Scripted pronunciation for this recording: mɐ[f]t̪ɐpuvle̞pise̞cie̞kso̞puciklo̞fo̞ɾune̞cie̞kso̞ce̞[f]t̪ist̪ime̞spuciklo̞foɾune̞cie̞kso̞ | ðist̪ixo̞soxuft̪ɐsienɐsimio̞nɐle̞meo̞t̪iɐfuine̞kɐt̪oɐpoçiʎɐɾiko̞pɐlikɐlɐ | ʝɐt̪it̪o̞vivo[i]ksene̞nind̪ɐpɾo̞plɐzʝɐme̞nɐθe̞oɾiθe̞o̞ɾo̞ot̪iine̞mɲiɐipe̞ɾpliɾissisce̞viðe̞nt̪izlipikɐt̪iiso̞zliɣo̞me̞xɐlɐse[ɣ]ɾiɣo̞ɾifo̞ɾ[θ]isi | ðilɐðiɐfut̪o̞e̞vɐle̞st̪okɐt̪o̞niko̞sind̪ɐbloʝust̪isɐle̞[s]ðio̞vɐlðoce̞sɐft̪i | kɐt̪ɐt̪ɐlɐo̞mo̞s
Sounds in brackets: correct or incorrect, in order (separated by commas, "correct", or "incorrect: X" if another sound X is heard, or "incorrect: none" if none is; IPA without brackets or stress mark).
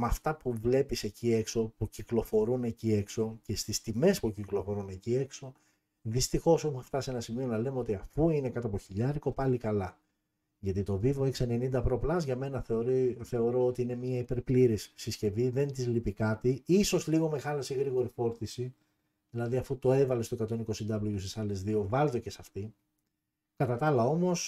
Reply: correct, incorrect: s, incorrect: e, correct, correct, incorrect: z